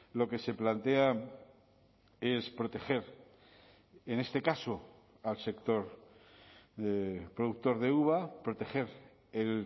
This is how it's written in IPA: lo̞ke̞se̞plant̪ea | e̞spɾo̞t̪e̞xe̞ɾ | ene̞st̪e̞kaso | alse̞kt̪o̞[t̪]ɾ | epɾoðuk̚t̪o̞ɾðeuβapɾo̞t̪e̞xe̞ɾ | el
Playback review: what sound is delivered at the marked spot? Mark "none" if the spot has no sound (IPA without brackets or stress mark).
none